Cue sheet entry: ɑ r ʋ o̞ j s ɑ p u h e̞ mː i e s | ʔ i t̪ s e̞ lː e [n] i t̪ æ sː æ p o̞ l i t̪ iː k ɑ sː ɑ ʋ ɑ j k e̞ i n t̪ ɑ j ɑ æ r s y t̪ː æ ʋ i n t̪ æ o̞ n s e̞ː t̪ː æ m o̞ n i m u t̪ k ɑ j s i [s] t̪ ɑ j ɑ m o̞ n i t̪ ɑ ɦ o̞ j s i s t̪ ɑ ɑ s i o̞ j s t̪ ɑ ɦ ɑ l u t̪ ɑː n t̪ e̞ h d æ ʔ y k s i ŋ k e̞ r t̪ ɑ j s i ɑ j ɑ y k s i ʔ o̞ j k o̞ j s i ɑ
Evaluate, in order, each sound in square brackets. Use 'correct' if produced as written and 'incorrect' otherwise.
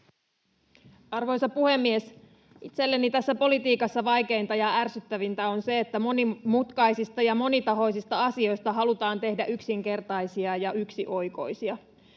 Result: correct, correct

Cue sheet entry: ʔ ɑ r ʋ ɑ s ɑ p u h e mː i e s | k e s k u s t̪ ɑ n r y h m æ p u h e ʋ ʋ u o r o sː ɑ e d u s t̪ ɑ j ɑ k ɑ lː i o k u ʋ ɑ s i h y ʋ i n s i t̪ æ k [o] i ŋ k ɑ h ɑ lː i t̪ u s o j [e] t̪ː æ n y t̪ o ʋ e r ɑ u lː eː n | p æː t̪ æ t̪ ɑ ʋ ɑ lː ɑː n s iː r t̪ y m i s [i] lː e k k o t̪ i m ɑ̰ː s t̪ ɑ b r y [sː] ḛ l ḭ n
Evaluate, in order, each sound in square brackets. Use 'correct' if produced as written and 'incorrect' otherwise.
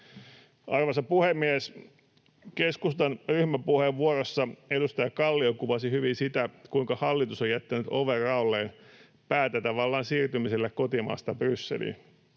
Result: incorrect: u, incorrect: æ, incorrect: e, correct

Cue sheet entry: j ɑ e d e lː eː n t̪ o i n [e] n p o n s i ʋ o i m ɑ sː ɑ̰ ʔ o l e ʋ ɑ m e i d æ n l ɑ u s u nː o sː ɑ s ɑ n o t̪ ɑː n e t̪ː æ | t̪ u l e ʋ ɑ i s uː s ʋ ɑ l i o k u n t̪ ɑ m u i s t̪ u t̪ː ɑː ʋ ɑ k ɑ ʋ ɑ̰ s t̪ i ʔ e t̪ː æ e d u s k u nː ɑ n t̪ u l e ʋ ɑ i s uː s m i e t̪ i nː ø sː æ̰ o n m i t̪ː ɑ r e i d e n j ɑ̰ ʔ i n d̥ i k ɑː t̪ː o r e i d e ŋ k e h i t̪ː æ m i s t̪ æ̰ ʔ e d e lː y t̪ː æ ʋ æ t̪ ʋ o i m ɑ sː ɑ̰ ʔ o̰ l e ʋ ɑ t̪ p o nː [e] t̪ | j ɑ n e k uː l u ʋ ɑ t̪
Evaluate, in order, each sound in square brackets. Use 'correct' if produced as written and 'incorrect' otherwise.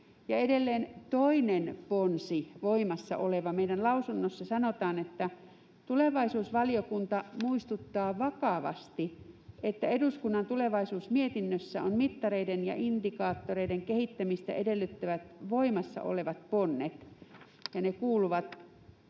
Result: correct, correct

